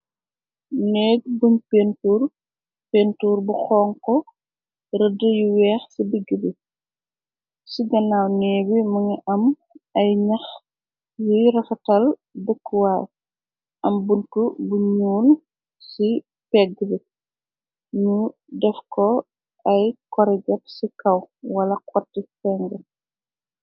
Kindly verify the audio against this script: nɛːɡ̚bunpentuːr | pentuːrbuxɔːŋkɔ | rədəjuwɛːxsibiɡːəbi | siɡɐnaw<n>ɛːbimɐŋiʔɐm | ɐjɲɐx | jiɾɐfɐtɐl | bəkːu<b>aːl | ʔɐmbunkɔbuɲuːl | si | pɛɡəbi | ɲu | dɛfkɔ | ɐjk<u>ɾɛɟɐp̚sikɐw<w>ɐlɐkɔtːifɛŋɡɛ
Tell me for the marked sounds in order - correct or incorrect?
correct, incorrect: w, incorrect: ɔ, correct

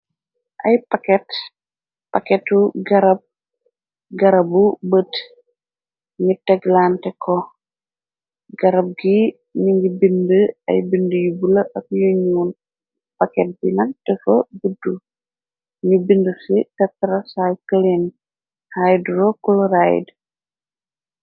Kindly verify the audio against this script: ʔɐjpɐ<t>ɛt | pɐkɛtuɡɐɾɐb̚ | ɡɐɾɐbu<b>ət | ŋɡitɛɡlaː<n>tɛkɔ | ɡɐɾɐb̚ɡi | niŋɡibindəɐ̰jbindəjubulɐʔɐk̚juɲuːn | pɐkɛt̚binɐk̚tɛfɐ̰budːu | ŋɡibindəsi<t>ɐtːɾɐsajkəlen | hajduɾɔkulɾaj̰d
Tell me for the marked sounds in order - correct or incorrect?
incorrect: k, correct, correct, correct

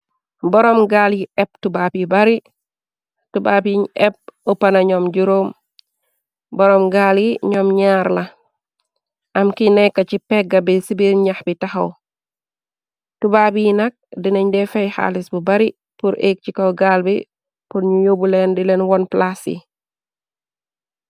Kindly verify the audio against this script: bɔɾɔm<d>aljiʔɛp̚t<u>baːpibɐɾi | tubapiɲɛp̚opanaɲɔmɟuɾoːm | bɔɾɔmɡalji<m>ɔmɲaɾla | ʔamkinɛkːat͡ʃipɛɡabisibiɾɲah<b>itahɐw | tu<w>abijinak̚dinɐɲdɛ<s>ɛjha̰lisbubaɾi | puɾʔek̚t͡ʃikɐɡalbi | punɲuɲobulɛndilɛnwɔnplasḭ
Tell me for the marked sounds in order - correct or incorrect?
incorrect: ɡ, correct, incorrect: ɲ, correct, incorrect: b, incorrect: f

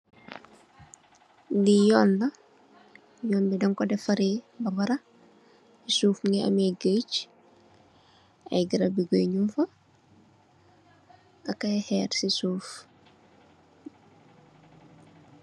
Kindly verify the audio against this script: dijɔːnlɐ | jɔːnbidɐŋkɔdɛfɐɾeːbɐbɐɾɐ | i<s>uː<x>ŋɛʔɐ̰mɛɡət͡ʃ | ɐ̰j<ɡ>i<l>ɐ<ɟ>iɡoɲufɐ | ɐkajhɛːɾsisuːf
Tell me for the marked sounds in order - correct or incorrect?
correct, incorrect: f, correct, incorrect: ɾ, incorrect: b

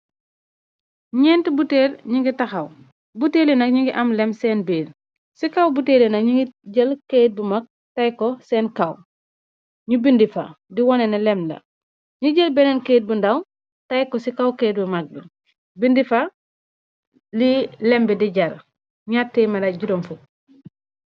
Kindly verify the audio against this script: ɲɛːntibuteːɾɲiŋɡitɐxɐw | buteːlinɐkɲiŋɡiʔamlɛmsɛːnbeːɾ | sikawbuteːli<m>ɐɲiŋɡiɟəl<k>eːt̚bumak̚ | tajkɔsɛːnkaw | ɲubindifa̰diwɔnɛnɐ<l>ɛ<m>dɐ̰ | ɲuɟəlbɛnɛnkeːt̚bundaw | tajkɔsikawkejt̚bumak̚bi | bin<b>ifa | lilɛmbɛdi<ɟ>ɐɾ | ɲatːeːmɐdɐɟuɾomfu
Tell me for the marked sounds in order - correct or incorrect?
incorrect: n, correct, correct, correct, incorrect: d, correct

